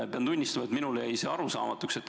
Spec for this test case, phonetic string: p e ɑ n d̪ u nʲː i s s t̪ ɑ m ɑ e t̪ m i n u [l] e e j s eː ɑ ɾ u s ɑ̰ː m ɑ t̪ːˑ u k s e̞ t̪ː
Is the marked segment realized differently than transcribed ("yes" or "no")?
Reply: no